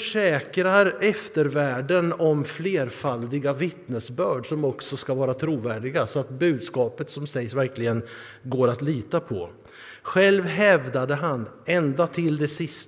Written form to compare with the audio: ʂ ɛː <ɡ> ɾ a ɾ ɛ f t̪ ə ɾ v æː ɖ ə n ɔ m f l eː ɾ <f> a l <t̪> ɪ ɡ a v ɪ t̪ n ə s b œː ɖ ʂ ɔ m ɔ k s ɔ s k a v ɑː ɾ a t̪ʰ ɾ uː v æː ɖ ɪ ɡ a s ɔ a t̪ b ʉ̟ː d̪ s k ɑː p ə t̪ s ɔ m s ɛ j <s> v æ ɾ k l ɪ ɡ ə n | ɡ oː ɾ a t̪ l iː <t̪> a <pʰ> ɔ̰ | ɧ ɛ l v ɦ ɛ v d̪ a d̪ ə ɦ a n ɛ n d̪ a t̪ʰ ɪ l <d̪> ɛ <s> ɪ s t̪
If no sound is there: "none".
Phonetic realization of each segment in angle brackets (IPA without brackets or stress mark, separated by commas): k, f, d̪, s, t̪, pʰ, d̪, s